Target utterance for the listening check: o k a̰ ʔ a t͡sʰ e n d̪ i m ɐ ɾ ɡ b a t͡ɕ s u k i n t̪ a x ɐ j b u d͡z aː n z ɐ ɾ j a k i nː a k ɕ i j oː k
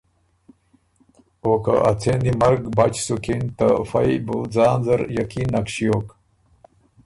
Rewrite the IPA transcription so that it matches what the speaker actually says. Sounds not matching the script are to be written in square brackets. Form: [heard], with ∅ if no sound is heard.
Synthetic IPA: o k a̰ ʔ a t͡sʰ e n d̪ i m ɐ ɾ ɡ b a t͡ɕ s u k i n t̪ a [f] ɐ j b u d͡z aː n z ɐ ɾ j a k i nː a k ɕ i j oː k